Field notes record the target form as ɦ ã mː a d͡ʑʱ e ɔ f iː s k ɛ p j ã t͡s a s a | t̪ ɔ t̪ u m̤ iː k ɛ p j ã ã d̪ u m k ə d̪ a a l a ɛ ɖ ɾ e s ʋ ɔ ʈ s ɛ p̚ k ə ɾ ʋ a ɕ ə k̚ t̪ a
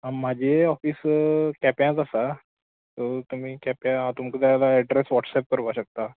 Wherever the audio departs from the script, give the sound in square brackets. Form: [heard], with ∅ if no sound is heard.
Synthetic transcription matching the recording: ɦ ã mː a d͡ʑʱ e ɔ f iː s k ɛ p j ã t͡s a s a | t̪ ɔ t̪ u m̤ iː k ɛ p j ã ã [t̪] u m k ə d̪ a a l a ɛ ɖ ɾ e s ʋ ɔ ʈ s ɛ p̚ k ə ɾ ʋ a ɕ ə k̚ t̪ a